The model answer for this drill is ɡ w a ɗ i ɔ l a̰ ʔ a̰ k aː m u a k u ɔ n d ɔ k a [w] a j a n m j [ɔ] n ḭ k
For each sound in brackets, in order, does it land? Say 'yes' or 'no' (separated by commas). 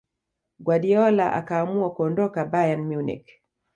no, no